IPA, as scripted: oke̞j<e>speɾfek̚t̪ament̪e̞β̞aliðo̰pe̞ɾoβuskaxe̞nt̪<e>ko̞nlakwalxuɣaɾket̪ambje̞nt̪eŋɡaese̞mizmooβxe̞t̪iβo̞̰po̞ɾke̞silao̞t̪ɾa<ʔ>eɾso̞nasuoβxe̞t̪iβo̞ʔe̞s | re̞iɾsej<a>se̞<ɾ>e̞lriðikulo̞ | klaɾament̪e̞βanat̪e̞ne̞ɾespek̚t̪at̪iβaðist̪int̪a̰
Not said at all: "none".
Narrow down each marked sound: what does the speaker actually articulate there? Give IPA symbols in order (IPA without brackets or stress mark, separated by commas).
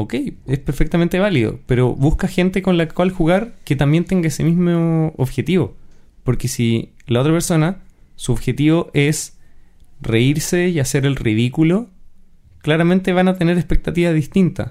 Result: e, e, p, a, ɾ